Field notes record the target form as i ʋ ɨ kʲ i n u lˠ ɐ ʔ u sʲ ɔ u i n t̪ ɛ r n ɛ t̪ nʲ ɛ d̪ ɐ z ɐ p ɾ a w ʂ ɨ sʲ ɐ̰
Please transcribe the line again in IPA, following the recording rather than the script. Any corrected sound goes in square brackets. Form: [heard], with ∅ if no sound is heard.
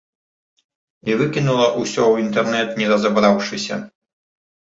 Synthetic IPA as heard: i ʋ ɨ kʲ i n u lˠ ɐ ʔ u sʲ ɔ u i n t̪ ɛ r n ɛ t̪ nʲ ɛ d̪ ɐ z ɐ [b] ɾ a w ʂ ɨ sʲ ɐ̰